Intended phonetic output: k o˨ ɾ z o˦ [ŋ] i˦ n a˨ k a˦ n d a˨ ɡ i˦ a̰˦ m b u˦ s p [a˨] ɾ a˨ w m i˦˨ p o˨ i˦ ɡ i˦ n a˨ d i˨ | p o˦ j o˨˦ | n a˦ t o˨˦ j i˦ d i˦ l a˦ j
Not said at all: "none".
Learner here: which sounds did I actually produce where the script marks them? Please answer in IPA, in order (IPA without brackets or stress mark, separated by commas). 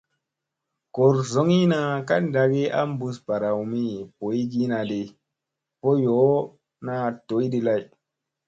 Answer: ŋ, a˨